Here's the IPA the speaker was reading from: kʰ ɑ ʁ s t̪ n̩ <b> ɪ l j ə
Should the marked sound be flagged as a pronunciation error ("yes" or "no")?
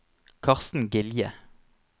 yes